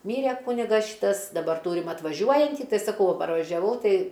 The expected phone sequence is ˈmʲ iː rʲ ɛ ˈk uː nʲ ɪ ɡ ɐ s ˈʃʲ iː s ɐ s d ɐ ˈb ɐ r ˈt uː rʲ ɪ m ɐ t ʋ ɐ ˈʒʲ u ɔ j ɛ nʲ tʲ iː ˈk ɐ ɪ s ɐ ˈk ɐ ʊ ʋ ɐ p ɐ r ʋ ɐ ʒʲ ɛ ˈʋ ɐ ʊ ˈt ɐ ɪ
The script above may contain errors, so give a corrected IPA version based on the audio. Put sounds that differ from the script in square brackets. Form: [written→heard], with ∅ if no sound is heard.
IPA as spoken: ˈmʲ iː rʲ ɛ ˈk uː nʲ ɪ ɡ ɐ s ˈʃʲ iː [s→t] ɐ s d ɐ ˈb ɐ r ˈt uː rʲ ɪ m ɐ t ʋ ɐ ˈʒʲ u ɔ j ɛ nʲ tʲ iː [ˈk→ˈt] ɐ ɪ s ɐ ˈk ɐ ʊ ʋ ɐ p ɐ r ʋ ɐ ʒʲ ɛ ˈʋ ɐ ʊ ˈt ɐ ɪ